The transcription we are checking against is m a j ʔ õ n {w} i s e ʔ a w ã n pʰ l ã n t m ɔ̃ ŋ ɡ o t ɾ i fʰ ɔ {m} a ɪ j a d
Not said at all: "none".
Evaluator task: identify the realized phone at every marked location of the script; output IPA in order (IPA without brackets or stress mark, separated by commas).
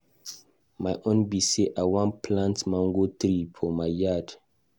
b, m